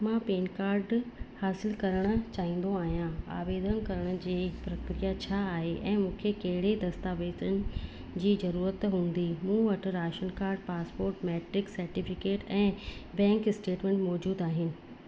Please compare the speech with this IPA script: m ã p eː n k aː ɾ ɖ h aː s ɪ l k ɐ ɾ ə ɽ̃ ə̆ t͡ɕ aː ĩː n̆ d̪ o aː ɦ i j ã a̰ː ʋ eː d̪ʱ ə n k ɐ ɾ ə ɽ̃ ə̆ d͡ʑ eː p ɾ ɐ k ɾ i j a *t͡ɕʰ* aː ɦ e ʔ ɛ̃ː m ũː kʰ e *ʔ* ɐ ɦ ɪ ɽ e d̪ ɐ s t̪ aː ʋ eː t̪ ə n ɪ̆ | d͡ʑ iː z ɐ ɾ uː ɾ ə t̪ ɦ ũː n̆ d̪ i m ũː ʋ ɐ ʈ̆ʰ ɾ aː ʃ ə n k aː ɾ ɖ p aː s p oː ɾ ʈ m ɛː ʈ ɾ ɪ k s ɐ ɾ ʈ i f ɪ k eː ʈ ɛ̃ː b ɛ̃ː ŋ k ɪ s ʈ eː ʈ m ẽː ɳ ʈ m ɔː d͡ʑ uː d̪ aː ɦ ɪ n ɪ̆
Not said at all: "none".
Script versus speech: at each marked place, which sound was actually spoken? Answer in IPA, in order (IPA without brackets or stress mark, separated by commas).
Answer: t͡ɕʰ, k